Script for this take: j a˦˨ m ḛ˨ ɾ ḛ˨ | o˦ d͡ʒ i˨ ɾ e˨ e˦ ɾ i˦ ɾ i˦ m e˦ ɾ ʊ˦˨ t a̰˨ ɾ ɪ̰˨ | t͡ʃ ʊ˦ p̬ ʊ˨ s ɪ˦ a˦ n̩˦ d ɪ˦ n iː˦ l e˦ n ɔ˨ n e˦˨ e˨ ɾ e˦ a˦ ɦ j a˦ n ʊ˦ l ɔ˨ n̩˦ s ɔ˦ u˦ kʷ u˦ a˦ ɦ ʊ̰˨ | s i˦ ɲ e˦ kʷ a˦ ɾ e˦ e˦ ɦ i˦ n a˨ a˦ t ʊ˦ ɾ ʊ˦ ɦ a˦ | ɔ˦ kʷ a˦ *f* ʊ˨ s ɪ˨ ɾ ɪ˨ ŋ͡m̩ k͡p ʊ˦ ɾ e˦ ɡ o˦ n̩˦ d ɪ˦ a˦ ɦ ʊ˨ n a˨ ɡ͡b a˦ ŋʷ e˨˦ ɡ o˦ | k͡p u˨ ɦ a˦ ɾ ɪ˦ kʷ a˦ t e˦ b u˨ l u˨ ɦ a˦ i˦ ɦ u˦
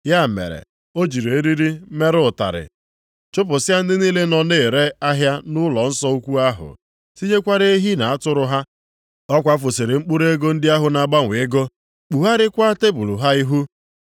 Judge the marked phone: correct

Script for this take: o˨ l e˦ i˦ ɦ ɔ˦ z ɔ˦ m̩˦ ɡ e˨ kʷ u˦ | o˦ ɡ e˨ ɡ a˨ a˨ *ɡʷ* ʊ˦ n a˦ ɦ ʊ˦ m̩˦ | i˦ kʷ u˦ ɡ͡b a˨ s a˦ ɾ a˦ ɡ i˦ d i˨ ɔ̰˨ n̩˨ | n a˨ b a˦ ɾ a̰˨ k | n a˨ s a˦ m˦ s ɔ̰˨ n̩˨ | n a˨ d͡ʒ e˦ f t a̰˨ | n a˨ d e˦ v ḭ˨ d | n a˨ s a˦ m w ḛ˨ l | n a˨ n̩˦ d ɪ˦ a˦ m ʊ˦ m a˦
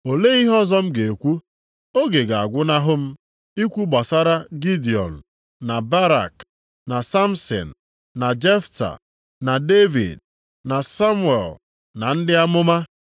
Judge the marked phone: correct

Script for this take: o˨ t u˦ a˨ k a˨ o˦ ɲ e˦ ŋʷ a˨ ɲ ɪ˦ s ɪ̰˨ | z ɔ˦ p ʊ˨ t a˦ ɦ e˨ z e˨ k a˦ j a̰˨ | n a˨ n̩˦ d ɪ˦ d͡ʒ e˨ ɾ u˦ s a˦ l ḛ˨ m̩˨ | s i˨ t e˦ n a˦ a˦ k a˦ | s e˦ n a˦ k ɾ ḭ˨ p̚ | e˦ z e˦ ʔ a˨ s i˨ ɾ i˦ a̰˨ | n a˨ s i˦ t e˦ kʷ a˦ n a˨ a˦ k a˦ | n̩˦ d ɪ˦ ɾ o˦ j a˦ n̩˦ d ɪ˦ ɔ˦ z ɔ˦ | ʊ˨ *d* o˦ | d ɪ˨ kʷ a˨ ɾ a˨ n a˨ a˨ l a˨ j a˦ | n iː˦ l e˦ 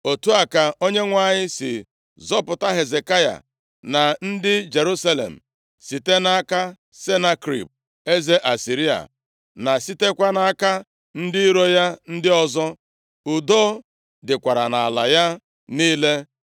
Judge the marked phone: correct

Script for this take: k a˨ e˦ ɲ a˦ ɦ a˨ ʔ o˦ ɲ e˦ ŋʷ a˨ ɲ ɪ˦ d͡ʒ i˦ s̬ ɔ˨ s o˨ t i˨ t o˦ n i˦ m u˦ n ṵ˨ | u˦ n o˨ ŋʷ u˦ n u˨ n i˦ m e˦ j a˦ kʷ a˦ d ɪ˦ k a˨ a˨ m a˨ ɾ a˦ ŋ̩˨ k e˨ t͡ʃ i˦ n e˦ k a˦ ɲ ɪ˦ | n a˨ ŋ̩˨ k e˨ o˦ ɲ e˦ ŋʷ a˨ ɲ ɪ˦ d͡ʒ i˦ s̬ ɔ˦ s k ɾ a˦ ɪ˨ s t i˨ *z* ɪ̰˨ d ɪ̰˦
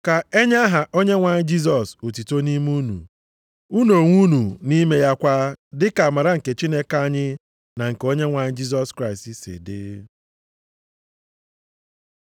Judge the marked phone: incorrect: s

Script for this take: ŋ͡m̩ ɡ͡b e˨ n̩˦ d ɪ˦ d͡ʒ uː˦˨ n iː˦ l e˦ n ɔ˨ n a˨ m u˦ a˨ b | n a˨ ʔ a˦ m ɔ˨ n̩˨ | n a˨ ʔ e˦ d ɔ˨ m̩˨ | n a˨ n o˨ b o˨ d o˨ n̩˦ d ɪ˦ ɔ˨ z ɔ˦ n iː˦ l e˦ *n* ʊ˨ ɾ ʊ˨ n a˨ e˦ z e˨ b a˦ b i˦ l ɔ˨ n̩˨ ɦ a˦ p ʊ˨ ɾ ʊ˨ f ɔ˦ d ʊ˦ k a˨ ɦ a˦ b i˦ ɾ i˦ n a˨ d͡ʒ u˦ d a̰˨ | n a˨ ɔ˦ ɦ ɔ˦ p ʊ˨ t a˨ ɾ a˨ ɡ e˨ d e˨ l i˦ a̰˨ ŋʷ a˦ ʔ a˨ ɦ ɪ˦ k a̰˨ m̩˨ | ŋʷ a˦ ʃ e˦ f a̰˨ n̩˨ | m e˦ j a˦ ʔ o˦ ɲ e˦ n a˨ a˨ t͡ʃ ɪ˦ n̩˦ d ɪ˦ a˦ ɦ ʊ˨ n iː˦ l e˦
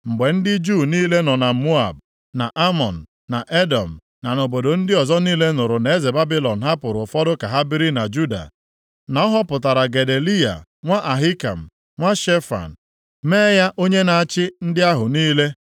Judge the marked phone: correct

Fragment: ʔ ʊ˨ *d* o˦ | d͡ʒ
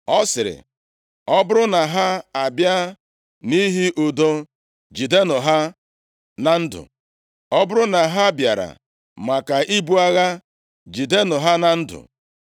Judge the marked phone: correct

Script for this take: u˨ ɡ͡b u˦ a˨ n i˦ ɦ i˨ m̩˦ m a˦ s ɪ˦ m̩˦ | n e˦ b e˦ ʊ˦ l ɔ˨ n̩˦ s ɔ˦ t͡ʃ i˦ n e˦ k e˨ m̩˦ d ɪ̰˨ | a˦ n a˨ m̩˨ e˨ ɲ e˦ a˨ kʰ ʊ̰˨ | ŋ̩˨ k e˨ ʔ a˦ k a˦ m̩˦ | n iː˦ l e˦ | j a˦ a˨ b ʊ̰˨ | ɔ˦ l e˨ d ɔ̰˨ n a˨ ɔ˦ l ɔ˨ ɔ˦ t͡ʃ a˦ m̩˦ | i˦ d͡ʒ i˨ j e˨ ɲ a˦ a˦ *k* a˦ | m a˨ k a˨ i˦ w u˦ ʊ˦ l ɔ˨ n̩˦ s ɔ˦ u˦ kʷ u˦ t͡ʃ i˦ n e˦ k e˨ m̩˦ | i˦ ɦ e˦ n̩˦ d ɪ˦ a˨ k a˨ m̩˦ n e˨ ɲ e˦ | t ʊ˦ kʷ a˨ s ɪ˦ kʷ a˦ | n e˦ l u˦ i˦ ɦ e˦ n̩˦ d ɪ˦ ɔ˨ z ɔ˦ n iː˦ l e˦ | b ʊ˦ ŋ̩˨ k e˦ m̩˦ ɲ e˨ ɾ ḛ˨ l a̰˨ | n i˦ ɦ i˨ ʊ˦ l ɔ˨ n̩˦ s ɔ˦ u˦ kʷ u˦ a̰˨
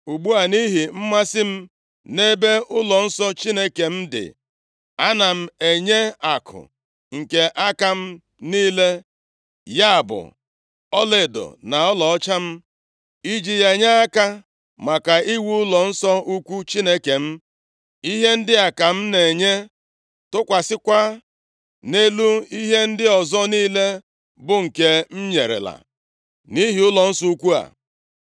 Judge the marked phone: correct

